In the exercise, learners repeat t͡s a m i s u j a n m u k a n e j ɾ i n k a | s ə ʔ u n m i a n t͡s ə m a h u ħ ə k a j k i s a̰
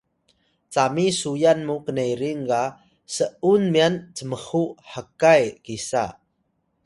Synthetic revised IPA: t͡s a m i s u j a n m u k ə n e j ɾ i ŋ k a | s ə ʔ u n m i a n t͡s ə m ə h u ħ ə k a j k i s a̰